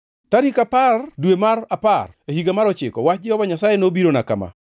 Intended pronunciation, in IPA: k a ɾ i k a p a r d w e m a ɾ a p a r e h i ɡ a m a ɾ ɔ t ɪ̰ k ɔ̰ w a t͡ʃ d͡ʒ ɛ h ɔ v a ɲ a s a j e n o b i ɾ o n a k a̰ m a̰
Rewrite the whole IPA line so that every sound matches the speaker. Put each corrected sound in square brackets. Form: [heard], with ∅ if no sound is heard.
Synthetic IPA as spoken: [t] a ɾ i k a p a r d w e m a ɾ a p a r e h i ɡ a m a ɾ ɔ [t͡ʃ] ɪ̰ k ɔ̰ w a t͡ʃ d͡ʒ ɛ h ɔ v a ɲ a s a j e n o b i ɾ o n a k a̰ m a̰